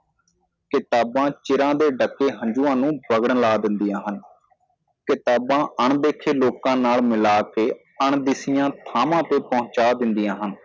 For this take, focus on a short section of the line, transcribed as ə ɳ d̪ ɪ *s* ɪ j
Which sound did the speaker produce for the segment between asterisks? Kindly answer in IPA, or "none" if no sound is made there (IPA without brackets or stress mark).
s